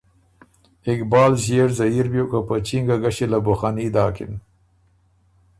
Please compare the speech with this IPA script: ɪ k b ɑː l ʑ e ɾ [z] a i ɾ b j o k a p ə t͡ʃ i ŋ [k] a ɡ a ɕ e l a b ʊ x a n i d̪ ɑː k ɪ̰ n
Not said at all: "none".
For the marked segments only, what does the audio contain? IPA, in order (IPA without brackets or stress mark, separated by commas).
z, ɡ